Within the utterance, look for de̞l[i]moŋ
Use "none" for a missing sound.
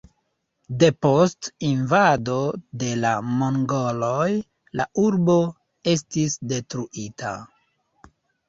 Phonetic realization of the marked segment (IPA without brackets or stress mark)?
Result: a